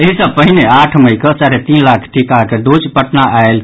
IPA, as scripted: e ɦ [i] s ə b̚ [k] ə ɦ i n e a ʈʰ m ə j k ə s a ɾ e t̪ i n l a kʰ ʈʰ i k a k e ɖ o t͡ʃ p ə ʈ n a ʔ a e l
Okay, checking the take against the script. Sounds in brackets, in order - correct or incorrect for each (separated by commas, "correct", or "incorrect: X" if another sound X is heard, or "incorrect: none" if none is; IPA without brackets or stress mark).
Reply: correct, incorrect: p